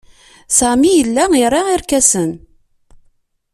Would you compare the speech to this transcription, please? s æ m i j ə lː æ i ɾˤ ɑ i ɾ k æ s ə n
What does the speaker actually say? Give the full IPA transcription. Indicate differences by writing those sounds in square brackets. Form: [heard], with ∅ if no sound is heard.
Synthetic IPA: s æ m i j ə lː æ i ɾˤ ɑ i ɾ k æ s ə n